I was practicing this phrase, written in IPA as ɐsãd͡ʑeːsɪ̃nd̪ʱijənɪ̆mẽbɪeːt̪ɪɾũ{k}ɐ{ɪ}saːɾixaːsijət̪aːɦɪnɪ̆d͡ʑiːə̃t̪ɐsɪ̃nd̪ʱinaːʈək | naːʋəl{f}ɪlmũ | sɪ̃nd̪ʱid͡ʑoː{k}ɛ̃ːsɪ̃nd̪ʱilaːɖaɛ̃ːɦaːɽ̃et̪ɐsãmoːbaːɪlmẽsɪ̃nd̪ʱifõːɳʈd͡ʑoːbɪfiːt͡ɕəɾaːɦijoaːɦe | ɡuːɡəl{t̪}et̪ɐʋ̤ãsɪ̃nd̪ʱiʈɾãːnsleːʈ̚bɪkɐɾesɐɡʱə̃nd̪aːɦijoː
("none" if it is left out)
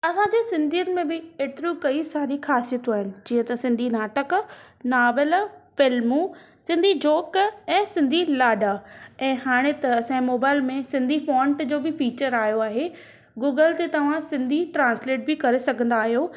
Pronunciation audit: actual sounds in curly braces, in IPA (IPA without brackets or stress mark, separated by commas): k, i, f, k, t̪